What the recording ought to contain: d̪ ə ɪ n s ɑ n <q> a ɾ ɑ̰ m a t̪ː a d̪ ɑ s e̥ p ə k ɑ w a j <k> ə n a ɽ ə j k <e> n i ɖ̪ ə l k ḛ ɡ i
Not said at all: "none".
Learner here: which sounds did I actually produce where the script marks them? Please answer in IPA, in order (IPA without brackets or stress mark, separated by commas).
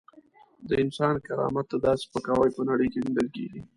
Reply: k, p, e